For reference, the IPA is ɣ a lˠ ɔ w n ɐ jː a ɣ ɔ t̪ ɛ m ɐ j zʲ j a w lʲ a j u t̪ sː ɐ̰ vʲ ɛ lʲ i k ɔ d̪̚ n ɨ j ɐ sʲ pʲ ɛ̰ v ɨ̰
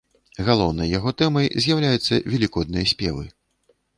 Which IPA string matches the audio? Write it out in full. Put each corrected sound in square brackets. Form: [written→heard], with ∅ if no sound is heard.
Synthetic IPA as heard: ɣ a lˠ ɔ w n ɐ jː a ɣ ɔ t̪ ɛ m ɐ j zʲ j a w lʲ a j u t̪ sː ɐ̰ vʲ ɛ lʲ i k ɔ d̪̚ n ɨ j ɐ sʲ pʲ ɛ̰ v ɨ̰